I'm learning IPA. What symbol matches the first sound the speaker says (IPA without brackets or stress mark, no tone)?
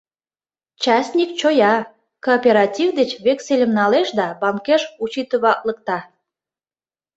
t͡ɕ